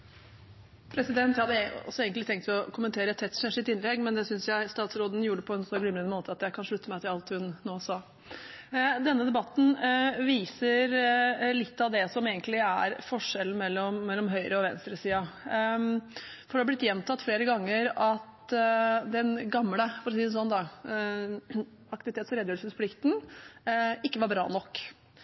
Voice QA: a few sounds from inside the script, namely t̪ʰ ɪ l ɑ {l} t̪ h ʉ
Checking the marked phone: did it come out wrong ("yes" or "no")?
no